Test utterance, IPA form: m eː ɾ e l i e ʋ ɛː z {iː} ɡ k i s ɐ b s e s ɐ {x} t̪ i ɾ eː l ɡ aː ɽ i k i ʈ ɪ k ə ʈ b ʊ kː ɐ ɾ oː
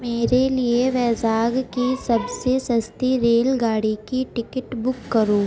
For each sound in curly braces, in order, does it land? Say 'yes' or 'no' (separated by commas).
no, no